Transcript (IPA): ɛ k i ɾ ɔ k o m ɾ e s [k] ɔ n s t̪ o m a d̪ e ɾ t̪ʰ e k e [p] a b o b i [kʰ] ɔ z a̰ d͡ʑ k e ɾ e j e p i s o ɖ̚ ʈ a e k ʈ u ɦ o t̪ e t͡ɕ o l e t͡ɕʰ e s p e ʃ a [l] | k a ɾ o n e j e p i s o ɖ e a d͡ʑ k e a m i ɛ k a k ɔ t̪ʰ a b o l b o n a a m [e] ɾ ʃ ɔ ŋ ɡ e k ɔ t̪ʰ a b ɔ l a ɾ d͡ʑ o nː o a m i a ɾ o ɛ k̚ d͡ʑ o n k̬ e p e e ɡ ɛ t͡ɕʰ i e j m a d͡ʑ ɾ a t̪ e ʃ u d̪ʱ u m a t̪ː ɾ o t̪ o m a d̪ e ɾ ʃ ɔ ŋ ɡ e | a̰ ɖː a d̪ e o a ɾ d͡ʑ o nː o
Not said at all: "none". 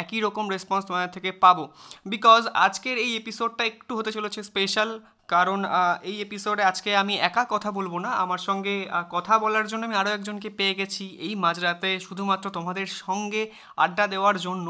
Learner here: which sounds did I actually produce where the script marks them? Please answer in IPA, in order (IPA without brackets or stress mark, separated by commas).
p, p, k, l, a